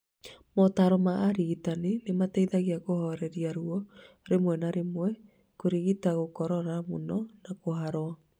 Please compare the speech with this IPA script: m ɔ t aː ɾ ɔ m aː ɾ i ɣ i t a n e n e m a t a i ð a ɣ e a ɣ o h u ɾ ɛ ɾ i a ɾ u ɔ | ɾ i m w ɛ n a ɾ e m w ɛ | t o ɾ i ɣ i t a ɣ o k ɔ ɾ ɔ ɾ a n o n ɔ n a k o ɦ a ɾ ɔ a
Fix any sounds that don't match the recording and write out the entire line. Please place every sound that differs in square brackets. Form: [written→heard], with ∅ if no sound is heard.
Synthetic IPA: m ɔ t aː ɾ ɔ m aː ɾ i ɣ i t a n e n e m a t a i ð a ɣ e a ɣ o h [u→ɔ] ɾ ɛ ɾ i a ɾ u ɔ | ɾ [i→e] m w ɛ n a ɾ e m w ɛ | [t→k] o ɾ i ɣ i t a ɣ o k ɔ ɾ ɔ ɾ a [n→m] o n ɔ n a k o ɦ a ɾ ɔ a